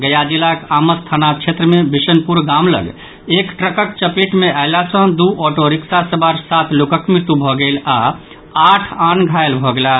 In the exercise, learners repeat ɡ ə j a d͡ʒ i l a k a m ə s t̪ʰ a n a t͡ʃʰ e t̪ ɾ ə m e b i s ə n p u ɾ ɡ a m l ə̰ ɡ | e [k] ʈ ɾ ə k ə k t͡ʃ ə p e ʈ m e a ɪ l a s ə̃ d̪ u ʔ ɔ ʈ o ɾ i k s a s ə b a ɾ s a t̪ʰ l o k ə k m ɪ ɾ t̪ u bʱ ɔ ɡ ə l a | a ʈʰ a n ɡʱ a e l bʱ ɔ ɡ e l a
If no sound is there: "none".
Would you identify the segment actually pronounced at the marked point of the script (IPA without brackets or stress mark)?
k